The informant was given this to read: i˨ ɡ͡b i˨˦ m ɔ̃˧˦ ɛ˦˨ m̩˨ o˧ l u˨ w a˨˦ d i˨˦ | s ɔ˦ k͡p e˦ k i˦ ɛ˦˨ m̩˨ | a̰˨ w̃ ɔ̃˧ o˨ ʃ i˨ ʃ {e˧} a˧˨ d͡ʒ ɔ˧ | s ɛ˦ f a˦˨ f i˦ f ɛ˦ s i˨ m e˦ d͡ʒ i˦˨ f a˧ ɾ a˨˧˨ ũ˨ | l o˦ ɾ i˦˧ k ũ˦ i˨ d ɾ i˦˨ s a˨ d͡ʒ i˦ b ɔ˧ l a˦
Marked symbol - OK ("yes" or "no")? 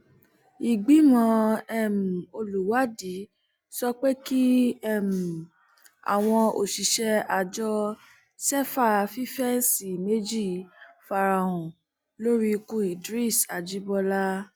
no